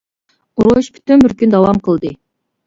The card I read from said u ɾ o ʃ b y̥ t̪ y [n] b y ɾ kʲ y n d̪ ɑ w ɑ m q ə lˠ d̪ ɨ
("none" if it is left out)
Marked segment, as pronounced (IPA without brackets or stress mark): n